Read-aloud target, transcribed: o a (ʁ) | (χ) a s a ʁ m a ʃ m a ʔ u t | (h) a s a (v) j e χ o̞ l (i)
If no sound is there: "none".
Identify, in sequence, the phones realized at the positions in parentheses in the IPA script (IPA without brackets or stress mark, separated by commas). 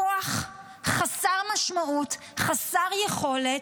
χ, χ, χ, ʁ, e